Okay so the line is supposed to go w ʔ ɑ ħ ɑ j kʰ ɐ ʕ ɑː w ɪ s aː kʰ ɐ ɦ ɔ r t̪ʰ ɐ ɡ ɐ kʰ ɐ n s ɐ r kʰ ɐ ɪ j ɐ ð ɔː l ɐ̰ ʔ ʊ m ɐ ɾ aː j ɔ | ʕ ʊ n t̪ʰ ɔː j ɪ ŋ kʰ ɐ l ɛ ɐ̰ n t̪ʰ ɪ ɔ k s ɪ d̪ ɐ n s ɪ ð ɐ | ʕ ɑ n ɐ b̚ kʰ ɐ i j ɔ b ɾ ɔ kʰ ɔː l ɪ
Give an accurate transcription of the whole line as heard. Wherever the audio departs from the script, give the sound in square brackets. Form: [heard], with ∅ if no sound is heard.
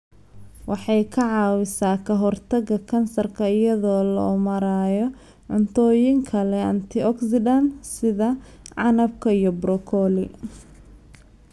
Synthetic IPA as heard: w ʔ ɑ ħ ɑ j kʰ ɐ ʕ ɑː w ɪ s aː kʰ ɐ ɦ ɔ r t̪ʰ ɐ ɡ ɐ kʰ ɐ n s ɐ r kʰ ɐ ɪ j ɐ ð ɔː l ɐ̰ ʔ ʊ m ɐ ɾ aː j ɔ | ʕ ʊ n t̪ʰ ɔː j ɪ ŋ kʰ ɐ l ɛ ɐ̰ n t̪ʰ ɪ ɔ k s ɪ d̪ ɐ n s ɪ ð ɐ | ʕ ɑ n ɐ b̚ kʰ ɐ i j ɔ b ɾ ɔ kʰ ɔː l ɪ